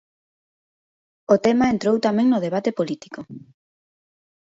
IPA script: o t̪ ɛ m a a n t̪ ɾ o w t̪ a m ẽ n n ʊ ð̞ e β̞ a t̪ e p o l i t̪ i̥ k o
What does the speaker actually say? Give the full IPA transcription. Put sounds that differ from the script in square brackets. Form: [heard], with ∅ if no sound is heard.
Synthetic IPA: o t̪ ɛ m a [e] n t̪ ɾ o w t̪ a m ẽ [ŋ] n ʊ ð̞ e β̞ a t̪ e p o l i t̪ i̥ k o